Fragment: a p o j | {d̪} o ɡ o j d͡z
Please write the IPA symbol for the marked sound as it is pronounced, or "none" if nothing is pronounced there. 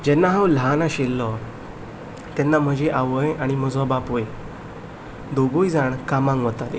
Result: d̪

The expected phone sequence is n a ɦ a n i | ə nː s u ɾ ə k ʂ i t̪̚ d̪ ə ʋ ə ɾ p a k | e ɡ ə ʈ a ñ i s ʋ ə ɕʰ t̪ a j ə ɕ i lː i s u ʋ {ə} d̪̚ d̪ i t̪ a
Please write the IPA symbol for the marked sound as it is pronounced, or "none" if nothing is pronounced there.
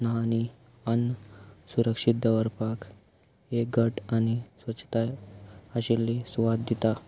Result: a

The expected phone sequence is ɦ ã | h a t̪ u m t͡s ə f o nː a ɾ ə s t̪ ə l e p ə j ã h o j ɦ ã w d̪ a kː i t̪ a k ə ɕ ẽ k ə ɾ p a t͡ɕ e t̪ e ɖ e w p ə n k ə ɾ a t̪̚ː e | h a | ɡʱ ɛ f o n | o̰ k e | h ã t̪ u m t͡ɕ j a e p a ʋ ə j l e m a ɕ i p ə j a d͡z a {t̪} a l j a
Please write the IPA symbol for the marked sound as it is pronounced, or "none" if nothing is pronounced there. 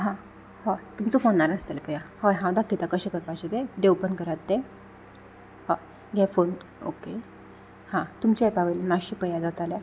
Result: t̪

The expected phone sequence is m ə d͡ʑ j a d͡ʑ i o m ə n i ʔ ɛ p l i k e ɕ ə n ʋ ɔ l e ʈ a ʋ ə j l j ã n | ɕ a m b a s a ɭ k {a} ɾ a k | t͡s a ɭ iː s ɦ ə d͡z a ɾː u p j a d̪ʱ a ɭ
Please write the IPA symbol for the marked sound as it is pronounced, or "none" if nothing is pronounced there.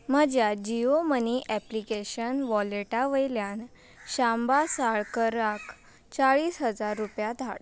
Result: ə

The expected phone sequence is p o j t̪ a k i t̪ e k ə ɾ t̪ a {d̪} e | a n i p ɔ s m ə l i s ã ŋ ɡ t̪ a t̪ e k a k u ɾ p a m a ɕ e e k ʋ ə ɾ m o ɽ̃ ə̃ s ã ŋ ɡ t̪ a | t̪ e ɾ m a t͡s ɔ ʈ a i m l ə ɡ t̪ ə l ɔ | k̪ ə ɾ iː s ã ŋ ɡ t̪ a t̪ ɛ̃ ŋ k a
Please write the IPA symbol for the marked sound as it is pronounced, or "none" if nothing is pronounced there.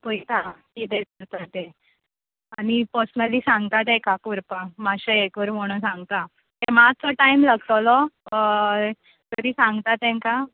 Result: t̪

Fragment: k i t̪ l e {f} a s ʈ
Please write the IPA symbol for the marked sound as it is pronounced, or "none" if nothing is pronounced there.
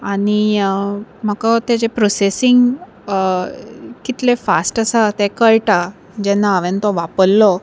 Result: f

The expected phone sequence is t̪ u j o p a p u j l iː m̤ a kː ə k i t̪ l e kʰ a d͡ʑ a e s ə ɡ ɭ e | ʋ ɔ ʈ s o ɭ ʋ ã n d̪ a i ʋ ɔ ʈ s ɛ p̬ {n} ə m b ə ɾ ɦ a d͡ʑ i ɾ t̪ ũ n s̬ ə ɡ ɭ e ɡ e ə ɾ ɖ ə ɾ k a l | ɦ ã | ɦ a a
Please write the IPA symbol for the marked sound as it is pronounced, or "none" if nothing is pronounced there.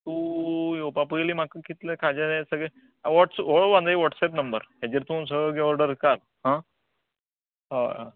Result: n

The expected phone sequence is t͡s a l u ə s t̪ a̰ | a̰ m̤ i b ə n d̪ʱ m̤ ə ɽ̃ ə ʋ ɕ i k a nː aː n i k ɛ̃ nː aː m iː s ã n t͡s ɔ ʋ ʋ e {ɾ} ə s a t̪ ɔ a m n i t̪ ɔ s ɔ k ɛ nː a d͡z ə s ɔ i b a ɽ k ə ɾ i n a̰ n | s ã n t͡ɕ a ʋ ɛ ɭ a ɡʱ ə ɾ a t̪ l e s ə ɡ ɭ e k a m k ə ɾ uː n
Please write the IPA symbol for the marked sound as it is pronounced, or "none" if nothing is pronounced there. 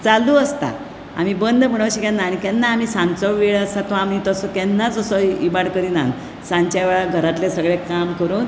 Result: ɭ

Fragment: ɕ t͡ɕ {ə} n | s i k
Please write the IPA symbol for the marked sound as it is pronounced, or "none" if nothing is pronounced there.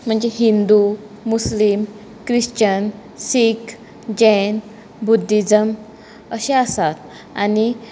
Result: ə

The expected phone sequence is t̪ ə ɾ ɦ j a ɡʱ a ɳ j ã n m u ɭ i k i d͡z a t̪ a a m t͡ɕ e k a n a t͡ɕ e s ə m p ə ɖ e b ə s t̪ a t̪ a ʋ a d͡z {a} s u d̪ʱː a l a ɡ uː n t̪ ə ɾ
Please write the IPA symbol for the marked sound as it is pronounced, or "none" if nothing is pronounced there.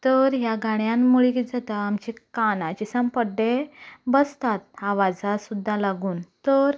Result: a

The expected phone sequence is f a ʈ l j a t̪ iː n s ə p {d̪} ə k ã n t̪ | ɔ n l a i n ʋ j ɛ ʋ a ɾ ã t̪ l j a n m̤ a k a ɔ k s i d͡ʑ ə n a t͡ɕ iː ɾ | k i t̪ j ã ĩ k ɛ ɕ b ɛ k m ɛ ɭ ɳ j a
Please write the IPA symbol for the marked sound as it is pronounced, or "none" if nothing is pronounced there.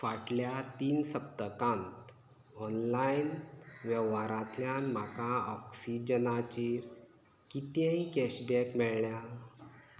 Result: t̪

